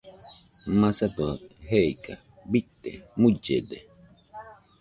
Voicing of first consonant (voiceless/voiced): voiced